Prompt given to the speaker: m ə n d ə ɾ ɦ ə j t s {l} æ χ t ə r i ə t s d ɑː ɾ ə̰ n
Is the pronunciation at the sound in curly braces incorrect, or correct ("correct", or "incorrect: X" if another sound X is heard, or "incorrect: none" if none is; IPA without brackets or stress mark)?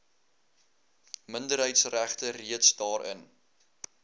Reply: incorrect: r